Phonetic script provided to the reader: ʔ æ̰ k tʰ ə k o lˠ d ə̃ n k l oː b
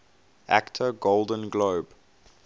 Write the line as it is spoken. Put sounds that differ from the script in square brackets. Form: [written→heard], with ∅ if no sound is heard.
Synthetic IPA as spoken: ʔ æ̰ k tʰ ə [k→ɡ] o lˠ d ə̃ n [k→ɡ] l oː b

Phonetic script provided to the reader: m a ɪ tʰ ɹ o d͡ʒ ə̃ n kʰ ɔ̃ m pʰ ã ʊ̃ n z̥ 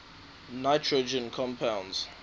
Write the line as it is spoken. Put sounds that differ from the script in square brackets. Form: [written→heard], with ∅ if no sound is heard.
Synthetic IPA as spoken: [m→n] a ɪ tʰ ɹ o d͡ʒ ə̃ n kʰ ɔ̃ m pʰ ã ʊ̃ n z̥

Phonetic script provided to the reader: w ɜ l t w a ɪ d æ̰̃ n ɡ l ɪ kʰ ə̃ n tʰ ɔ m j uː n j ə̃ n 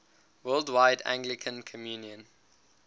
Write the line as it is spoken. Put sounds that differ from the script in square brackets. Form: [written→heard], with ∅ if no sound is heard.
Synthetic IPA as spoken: w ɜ l [t→d] w a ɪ d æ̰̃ [n→ŋ] ɡ l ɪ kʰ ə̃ n [tʰ→kʰ] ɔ m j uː n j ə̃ n

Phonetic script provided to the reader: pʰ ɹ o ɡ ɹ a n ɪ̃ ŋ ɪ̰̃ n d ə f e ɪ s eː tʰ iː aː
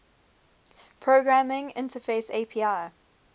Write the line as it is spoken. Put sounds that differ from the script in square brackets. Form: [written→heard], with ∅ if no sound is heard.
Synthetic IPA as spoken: pʰ ɹ o ɡ ɹ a [n→m] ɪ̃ ŋ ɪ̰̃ n [d→t] ə f e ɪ s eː [tʰ→pʰ] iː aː

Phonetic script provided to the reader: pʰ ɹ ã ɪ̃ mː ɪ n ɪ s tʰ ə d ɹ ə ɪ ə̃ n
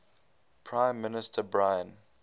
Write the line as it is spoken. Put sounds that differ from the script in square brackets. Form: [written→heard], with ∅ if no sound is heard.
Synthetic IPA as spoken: pʰ ɹ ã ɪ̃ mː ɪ n ɪ s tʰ ə [d→b] ɹ [ə→a] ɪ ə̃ n

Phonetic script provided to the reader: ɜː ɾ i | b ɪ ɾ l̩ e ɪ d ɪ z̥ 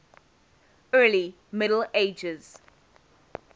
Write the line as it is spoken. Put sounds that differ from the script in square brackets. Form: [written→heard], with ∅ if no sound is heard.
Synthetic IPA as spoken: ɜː [ɾ→l] i | [b→m] ɪ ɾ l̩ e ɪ [d→d͡ʒ] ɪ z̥

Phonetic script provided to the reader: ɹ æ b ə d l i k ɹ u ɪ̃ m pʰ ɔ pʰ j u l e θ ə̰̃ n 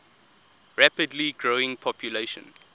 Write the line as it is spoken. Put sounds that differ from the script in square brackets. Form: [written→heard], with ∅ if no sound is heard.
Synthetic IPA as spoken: ɹ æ [b→p] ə d l i [k→ɡ] ɹ [u→o] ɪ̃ [m→ŋ] pʰ ɔ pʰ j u l e [θ→ʃ] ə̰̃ n

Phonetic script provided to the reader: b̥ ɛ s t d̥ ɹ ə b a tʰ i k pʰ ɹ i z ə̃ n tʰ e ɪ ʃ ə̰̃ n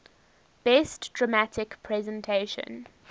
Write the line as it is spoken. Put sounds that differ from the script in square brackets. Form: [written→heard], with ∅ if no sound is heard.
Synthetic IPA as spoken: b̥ ɛ s t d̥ ɹ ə [b→m] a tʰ [i→ɪ] k pʰ ɹ [i→ɛ] z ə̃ n tʰ e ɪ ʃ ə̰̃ n

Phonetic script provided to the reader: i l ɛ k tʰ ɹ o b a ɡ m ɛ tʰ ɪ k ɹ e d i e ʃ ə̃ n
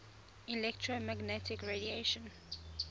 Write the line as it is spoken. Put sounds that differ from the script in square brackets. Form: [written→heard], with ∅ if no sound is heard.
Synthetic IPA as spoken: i l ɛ k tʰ ɹ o [b→m] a ɡ [m→n] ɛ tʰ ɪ k ɹ e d i e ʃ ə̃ n

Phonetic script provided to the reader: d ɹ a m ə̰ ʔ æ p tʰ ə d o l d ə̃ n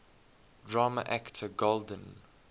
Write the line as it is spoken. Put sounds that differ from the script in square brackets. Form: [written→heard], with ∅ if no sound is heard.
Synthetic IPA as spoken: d ɹ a m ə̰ ʔ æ [p→k] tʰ ə [d→ɡ] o l d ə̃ n

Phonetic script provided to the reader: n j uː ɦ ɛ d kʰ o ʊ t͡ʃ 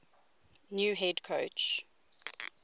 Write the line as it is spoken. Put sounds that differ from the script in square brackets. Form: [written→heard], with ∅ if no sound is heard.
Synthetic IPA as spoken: n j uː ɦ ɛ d kʰ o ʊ t͡ʃ

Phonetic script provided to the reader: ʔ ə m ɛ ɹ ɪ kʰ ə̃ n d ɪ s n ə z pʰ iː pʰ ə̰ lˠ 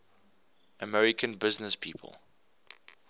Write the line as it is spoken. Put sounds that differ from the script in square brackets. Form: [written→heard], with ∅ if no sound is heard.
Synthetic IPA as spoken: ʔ ə m ɛ ɹ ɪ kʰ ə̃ n [d→b] ɪ [s→z] n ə [z→s] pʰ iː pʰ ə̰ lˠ

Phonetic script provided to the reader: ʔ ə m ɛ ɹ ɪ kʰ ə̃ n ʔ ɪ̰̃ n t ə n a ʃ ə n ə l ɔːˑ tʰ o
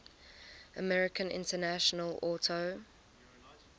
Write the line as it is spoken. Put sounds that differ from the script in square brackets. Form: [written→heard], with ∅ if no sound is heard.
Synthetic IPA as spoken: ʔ ə m ɛ ɹ ɪ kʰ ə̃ n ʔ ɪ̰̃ n t ə n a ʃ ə n ə l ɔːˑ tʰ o

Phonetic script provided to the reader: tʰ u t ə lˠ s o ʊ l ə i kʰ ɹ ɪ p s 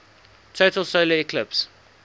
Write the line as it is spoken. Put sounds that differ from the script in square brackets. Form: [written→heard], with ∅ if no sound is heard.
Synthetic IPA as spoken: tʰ [u→o] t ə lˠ s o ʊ l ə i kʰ [ɹ→l] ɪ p s

